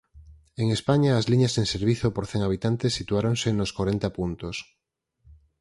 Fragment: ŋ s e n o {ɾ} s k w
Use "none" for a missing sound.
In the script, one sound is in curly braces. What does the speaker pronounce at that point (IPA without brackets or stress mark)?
none